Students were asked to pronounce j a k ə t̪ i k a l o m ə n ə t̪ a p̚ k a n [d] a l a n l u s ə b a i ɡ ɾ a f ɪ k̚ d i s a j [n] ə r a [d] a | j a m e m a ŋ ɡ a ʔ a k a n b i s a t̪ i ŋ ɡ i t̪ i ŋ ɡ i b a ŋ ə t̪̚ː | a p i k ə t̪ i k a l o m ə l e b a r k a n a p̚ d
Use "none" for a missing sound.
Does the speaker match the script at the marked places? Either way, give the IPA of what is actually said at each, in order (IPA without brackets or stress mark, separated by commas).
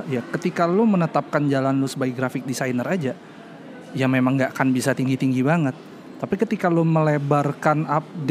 d͡ʒ, n, d͡ʒ